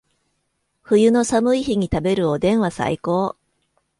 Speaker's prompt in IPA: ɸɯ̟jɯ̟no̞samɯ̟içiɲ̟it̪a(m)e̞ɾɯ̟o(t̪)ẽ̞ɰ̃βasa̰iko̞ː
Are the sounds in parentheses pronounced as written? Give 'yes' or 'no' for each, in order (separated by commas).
no, no